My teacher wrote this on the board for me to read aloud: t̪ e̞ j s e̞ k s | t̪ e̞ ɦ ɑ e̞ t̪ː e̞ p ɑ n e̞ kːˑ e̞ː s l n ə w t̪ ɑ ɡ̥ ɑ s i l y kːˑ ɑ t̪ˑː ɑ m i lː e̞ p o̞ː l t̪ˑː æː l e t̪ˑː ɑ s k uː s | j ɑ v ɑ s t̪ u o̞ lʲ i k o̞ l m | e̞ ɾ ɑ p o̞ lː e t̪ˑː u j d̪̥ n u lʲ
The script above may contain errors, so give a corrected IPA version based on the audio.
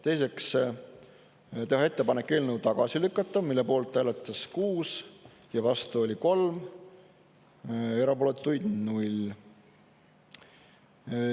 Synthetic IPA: t̪ e̞ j s e̞ k s | t̪ e̞ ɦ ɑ e̞ t̪ː e̞ p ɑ n e̞ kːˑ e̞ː l n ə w t̪ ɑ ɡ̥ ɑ s i l y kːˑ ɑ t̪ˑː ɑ m i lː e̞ p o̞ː l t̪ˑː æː l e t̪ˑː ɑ s k uː s | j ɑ v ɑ s t̪ u o̞ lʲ i k o̞ l m | e̞ ɾ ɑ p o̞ l e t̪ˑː u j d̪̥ n u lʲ